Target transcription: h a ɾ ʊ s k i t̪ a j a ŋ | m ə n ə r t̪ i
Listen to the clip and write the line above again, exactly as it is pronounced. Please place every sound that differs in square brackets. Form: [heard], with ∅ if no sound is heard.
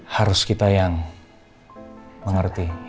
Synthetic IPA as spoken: h a ɾ ʊ s k i t̪ a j a ŋ | m ə [ŋ] ə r t̪ i